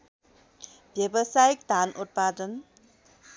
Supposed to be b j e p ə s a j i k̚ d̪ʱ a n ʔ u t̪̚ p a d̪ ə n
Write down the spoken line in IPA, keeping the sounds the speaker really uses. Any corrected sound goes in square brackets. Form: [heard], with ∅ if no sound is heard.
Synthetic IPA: b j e [b] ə s a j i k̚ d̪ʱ a n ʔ u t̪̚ p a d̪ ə n